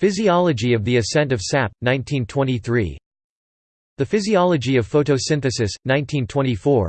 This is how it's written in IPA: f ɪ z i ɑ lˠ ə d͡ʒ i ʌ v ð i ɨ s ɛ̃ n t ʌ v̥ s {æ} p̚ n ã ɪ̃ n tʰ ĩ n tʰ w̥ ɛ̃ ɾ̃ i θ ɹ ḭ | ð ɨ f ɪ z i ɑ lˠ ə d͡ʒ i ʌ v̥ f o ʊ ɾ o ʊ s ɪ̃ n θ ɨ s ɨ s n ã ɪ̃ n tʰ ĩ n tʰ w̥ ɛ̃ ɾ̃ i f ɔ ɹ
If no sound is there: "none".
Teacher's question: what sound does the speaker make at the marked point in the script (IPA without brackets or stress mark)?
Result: æ